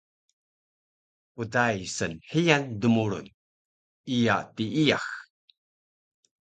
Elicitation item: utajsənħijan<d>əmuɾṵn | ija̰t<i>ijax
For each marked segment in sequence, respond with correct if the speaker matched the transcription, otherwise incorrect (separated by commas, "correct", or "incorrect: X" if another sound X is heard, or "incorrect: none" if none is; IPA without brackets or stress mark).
correct, correct